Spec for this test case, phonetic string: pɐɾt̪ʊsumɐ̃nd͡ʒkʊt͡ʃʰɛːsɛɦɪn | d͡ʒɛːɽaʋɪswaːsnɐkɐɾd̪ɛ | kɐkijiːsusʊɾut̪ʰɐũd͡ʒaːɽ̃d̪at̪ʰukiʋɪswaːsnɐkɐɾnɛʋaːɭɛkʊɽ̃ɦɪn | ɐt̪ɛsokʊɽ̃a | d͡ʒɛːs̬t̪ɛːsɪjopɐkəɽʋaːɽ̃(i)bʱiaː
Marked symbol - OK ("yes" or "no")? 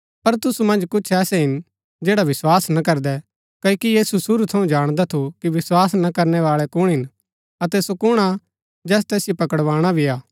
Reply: no